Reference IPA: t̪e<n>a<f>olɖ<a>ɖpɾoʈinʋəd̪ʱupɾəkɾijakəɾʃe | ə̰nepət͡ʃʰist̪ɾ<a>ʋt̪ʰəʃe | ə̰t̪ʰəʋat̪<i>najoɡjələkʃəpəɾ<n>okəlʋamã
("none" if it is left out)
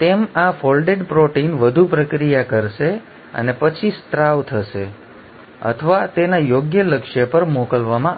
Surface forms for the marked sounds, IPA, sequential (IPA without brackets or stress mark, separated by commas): m, f, e, a, e, m